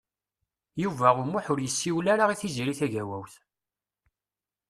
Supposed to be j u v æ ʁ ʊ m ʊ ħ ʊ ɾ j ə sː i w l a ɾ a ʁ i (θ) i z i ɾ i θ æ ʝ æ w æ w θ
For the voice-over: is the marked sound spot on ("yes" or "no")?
yes